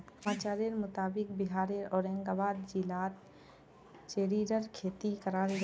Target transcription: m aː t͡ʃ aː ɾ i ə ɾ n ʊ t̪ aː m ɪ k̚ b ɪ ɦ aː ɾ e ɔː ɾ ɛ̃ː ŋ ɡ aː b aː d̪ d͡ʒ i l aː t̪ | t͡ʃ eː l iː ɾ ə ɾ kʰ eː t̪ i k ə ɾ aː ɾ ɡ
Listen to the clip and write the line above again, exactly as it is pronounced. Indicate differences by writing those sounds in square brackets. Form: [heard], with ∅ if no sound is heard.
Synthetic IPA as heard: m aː t͡ʃ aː ɾ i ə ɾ [m] ʊ t̪ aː [b] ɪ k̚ b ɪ ɦ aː ɾ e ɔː ɾ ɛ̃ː ŋ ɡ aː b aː d̪ d͡ʒ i l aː t̪ | t͡ʃ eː [ɾ] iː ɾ ə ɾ kʰ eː t̪ i k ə ɾ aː ɾ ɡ